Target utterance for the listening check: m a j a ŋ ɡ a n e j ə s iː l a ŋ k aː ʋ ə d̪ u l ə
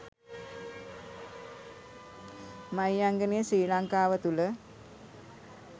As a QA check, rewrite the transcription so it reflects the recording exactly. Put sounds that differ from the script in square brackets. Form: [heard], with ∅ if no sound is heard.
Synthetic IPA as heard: m a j a ŋ ɡ [ə] n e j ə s iː l a ŋ k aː ʋ ə [t̪] u l ə